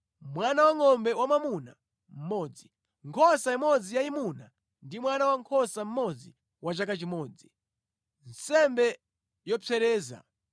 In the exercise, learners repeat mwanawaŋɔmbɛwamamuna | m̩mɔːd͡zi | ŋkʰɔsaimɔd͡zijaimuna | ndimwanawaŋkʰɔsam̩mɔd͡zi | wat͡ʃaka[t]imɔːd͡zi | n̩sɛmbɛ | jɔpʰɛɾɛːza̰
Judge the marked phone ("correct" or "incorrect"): incorrect